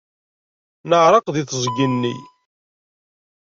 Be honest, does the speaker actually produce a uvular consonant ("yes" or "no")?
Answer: yes